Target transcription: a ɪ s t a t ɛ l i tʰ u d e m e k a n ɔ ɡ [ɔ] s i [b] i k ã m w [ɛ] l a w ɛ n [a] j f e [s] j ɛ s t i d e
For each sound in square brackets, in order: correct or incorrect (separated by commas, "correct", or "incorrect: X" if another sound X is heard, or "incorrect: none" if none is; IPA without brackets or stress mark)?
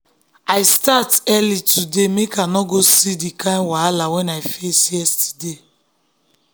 incorrect: o, incorrect: d, incorrect: a, correct, correct